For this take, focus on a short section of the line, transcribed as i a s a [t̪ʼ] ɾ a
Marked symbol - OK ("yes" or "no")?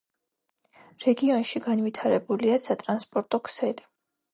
yes